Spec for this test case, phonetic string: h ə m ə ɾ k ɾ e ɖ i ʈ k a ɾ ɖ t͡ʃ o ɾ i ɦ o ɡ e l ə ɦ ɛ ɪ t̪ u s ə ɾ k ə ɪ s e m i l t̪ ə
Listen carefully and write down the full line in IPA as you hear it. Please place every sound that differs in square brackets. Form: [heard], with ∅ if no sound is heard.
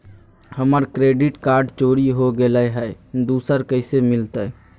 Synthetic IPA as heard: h ə m ə ɾ k ɾ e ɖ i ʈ k a ɾ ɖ t͡ʃ o ɾ i ɦ o ɡ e l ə ɦ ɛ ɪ [d̪] u s ə ɾ k ə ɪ s e m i l t̪ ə